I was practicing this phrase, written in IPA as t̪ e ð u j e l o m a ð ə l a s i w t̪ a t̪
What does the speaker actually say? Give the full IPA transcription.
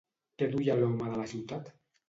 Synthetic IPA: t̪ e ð u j a l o m a ð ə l a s i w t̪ a t̪